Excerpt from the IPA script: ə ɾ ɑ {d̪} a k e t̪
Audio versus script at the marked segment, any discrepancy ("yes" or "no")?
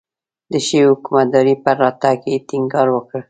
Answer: yes